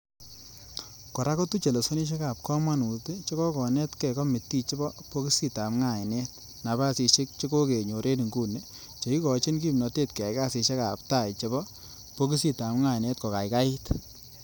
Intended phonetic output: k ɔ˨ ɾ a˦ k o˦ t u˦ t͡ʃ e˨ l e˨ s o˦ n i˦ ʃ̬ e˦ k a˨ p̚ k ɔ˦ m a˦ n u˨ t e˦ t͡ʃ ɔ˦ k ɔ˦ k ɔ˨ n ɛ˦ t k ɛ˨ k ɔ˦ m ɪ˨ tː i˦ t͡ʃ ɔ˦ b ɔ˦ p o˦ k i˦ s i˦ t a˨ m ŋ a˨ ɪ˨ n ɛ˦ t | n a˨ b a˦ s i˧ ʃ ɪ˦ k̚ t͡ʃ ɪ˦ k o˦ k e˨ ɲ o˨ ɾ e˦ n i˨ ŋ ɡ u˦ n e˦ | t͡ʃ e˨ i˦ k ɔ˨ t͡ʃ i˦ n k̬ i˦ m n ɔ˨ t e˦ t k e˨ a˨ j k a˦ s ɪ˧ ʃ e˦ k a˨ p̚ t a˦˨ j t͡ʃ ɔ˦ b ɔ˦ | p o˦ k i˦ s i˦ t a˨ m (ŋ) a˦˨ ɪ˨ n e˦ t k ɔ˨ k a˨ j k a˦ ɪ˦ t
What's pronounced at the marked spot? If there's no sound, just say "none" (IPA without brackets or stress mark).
ŋ